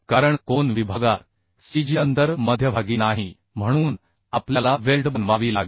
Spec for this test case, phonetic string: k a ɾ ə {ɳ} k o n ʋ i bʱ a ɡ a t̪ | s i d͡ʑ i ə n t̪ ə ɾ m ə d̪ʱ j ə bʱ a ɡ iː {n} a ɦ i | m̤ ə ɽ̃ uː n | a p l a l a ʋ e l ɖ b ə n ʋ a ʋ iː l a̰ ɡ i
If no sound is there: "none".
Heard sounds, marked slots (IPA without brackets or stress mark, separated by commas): ɳ, n